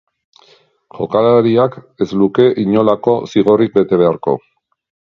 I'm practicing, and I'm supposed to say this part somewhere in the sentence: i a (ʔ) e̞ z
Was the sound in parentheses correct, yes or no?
no